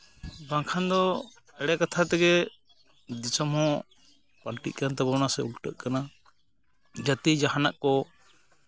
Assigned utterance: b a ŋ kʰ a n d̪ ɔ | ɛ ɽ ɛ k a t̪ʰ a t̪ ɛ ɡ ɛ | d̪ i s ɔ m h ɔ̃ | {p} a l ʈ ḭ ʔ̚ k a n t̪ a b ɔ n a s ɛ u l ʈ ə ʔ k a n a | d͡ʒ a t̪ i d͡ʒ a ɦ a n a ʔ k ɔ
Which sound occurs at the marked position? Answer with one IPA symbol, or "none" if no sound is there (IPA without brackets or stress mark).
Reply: p